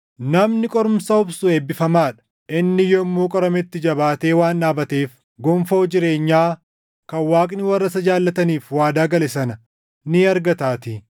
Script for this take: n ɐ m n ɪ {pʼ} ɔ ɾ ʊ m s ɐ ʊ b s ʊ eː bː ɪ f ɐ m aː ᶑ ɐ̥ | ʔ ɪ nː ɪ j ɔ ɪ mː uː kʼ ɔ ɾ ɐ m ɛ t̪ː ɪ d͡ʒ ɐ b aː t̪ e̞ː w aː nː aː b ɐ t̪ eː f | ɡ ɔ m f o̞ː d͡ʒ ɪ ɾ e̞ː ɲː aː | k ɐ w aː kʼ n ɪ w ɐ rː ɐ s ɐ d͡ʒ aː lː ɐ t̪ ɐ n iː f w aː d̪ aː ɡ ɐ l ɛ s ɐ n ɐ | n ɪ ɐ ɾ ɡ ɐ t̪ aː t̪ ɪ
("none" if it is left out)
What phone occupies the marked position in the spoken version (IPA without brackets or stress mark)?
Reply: kʼ